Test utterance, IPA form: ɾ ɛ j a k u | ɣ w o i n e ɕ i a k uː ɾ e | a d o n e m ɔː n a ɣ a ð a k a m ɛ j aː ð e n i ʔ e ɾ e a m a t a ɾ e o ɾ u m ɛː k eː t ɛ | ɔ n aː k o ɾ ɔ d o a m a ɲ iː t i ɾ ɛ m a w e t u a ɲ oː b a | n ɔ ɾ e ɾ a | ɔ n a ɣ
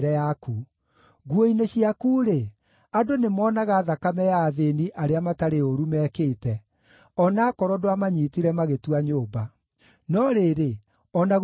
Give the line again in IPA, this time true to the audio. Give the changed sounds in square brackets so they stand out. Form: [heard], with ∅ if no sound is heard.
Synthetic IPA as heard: ɾ ɛ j a k u | ɣ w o i n e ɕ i a k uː ɾ e | a d o n e m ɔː n a ɣ a ð a k a m ɛ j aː ð e n i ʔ [a] ɾ e a m a t a ɾ e o ɾ u m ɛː k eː t ɛ | ɔ n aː k [ɔ] ɾ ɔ d o a m a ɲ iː t i ɾ ɛ m a [ɣ] e t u a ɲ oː b a | n ɔ ɾ e ɾ [e] | ɔ n a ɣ